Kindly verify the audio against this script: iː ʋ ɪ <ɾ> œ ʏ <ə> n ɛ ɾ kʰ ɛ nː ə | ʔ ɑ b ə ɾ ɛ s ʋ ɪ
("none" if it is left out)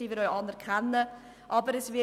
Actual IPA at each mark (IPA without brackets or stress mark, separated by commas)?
ɾ, ɑ